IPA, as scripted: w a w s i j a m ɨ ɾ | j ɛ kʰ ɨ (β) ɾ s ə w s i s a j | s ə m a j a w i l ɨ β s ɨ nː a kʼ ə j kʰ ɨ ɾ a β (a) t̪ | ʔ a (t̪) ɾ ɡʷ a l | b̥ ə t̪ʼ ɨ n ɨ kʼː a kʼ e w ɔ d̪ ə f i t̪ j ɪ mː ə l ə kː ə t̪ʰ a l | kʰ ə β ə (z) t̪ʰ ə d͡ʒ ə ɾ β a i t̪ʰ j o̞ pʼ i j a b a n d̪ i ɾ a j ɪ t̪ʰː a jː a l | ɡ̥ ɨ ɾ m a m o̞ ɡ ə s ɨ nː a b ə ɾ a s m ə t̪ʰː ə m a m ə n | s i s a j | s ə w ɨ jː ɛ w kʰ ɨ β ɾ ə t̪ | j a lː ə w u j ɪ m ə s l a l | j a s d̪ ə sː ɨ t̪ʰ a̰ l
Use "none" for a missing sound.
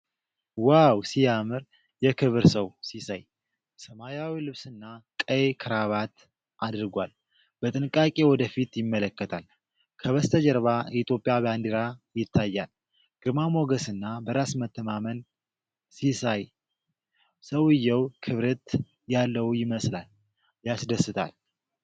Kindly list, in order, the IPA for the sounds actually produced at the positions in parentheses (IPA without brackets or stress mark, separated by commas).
β, a, d̪, s